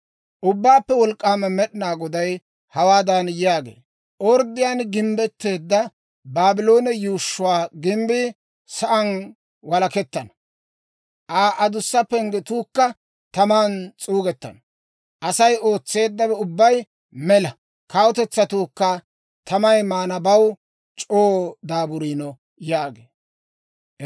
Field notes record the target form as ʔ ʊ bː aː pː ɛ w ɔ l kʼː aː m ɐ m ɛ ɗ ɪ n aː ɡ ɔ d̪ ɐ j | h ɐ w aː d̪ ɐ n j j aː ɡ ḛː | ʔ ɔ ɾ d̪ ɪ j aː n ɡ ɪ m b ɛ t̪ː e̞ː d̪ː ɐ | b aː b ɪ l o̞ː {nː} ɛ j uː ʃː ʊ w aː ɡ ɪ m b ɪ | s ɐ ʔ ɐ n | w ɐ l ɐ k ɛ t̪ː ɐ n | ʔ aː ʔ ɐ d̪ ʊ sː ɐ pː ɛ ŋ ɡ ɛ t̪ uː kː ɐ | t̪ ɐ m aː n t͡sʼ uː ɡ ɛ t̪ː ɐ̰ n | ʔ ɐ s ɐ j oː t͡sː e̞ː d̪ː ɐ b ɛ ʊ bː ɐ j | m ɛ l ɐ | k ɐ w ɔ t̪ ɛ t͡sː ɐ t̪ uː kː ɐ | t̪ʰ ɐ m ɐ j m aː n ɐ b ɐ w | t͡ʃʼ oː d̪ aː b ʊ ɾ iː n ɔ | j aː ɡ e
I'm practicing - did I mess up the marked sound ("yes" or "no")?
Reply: yes